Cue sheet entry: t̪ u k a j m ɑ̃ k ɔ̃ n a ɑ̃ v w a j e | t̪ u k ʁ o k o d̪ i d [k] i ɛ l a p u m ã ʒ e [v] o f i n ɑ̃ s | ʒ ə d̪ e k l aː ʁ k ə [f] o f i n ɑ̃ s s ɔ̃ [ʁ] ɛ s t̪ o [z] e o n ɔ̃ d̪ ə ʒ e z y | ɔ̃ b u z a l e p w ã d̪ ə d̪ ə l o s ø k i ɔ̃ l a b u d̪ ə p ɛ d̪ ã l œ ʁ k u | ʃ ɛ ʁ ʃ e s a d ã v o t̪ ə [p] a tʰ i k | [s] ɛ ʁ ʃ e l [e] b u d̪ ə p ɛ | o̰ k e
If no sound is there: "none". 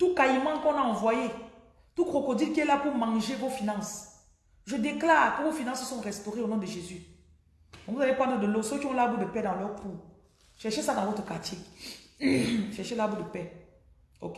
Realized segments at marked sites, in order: k, v, v, ʁ, ʁ, k, ʃ, a

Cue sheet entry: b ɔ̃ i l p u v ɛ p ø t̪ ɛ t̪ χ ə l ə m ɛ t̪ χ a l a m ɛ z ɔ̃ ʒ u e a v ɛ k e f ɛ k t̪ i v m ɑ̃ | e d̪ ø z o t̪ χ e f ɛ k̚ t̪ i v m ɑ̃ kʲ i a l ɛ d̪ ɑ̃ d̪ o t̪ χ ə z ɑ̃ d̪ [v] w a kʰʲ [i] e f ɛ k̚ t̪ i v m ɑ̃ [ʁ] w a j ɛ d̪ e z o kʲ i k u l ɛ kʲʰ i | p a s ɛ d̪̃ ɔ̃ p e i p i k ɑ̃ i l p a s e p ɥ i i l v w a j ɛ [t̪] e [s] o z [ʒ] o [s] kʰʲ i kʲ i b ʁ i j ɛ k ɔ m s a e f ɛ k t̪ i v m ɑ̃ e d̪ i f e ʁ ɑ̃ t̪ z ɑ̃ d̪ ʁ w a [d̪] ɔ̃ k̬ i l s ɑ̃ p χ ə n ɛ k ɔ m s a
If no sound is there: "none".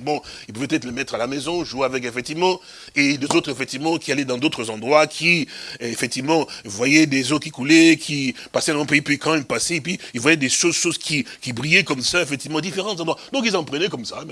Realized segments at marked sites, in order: ʁ, i, v, d̪, ʃ, ʃ, z, d̪

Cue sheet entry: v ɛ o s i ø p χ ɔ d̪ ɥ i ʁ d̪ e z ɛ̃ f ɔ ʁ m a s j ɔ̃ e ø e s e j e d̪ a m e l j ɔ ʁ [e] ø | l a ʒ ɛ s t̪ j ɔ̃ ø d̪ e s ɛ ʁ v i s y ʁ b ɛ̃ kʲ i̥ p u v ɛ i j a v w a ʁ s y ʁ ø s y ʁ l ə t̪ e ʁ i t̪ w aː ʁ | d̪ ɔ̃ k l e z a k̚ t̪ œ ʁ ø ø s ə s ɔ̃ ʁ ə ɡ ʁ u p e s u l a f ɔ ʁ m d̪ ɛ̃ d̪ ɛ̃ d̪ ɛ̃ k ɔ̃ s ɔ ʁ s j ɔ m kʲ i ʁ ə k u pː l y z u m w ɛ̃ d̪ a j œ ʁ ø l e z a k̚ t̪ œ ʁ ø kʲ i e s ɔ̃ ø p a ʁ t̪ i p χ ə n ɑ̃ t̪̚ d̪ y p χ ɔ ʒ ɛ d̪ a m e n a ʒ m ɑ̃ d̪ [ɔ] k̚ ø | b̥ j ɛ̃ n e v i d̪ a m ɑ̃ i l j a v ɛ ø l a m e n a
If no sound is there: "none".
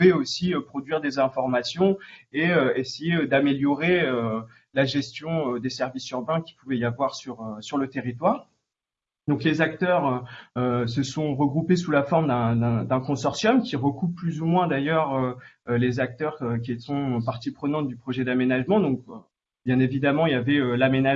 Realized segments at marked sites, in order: e, ɔ̃

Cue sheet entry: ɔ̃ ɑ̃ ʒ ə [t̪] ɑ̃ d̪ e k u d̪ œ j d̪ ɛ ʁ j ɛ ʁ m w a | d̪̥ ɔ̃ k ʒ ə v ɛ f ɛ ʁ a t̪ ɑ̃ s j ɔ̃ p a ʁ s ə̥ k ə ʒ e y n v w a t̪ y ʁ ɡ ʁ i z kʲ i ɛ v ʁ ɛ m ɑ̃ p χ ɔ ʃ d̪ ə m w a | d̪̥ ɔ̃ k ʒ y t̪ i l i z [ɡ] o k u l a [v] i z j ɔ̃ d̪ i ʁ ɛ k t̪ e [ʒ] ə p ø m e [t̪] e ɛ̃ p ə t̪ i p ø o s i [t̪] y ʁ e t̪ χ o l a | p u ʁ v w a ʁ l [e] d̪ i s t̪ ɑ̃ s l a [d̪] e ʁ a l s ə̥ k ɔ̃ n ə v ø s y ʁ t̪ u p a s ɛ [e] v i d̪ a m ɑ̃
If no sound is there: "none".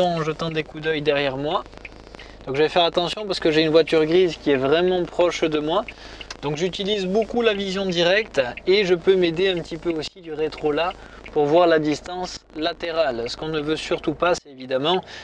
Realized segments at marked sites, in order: t̪, b, v, ʒ, d̪, d̪, a, t̪, e

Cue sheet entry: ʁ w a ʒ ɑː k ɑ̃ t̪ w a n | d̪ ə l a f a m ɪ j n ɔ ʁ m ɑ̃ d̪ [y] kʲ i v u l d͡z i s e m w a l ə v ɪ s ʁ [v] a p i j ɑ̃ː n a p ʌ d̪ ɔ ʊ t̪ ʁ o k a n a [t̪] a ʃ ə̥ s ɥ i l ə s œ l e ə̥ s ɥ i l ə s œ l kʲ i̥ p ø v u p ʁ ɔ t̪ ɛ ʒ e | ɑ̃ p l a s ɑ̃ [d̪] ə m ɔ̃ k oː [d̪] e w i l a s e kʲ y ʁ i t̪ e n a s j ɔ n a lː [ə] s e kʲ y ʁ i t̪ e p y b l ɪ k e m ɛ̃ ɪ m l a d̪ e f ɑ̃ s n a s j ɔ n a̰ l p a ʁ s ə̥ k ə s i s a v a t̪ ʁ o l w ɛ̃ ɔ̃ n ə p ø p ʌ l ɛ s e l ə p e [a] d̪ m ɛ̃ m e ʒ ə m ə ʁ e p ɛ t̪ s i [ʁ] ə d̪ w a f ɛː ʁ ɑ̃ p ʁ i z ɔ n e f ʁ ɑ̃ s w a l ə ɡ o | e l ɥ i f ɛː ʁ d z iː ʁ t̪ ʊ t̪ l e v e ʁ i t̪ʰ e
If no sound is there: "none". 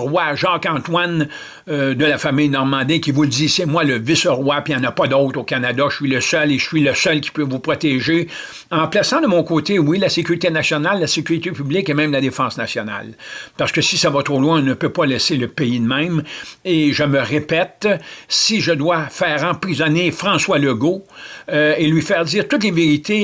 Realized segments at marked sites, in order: i, w, d̪, d̪, t̪, a, i, ʒ

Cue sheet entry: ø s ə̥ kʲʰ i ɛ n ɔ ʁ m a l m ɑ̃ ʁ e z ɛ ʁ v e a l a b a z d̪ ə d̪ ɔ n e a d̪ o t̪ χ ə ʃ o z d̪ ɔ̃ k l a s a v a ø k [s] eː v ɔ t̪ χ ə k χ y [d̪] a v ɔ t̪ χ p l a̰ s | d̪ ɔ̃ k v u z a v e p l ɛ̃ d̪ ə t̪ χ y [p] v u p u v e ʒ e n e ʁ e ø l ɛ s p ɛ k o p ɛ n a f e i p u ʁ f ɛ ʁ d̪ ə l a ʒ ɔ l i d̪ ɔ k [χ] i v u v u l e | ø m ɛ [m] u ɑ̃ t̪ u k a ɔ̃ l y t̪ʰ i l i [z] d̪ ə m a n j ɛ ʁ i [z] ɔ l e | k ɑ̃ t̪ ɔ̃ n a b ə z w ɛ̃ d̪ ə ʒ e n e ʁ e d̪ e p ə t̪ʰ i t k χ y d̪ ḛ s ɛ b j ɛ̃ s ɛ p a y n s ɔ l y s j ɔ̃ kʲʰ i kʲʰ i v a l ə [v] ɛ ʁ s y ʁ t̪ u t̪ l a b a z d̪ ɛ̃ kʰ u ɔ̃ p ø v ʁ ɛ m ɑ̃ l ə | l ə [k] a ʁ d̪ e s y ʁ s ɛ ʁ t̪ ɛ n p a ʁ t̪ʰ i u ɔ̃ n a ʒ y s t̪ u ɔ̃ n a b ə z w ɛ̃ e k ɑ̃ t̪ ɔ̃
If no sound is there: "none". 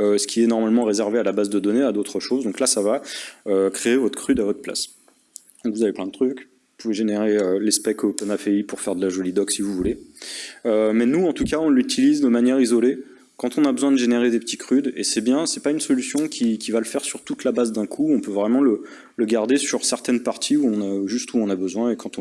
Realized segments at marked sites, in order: χ, d̪, k, s, n, z, z, f, ɡ

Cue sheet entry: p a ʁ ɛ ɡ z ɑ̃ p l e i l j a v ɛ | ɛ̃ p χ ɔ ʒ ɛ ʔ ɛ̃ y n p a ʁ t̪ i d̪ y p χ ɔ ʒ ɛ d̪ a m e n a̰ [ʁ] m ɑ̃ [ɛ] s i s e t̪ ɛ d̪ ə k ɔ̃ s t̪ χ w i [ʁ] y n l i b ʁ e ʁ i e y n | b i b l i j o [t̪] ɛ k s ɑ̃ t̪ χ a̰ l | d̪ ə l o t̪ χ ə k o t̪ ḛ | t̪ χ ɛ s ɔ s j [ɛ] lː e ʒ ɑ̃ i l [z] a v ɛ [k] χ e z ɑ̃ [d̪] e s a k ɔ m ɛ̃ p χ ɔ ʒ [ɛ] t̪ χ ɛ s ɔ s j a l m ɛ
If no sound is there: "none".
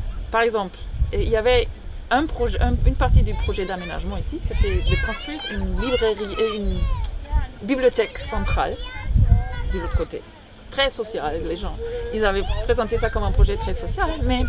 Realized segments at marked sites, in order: ʒ, i, ʁ, t̪, a, z, p, t̪, ɛ

